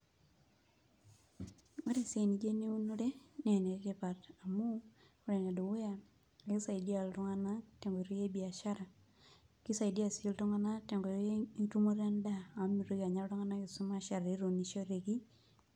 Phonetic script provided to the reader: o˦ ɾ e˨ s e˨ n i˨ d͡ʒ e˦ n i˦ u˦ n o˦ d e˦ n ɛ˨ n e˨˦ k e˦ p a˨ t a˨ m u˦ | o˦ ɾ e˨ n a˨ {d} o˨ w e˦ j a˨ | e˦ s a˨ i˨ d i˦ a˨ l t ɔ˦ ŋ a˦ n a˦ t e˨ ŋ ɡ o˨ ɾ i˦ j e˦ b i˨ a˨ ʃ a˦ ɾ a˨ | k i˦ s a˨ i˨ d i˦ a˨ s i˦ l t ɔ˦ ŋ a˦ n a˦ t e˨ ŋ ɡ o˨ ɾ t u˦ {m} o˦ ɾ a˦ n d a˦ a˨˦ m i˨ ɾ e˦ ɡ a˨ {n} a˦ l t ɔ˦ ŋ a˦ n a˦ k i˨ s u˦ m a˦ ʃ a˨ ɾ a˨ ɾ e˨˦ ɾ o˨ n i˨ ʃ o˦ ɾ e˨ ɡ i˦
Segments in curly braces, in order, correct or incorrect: correct, correct, incorrect: ɲ

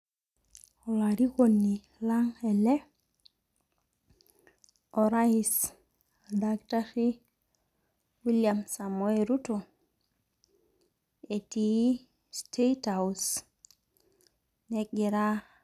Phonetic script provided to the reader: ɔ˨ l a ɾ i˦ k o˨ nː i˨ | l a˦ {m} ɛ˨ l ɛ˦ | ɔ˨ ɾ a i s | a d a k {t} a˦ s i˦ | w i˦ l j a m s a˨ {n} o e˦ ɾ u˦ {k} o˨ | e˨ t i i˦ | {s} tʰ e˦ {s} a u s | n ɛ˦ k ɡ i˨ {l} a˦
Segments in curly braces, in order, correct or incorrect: incorrect: ŋ, correct, incorrect: m, incorrect: t, correct, incorrect: t, incorrect: ɾ

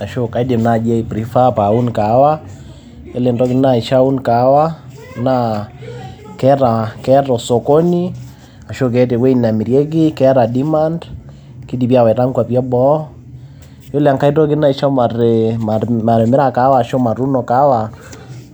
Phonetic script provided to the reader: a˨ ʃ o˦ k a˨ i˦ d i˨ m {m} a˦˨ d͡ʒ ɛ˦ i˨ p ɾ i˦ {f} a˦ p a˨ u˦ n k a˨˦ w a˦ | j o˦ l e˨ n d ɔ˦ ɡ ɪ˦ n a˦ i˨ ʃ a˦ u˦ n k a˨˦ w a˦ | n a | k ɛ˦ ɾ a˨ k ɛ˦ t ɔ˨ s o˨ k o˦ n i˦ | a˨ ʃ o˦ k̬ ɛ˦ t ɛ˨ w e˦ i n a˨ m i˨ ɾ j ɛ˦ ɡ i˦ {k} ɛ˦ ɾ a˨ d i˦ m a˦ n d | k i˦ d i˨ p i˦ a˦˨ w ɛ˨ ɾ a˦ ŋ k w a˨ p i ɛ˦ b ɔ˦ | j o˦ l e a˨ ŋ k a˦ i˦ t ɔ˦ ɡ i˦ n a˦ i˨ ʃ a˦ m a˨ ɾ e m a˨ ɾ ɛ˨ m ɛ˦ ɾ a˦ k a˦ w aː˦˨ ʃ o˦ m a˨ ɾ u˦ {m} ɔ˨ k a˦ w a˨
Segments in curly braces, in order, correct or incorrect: incorrect: n, correct, correct, incorrect: n

